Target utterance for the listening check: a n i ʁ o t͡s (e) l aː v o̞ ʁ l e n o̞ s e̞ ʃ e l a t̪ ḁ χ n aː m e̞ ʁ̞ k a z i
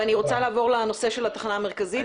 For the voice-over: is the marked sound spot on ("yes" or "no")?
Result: no